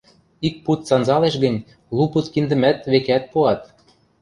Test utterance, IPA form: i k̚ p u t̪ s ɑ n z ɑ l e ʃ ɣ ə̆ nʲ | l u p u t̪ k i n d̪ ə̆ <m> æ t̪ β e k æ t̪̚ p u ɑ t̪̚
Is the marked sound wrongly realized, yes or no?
no